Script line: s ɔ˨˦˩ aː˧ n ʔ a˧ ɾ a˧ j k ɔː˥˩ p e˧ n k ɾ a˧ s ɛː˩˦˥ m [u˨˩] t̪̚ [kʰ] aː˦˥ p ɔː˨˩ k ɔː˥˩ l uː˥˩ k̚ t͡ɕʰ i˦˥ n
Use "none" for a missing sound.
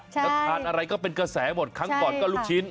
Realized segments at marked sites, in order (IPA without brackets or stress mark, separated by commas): o˨˩, kʰ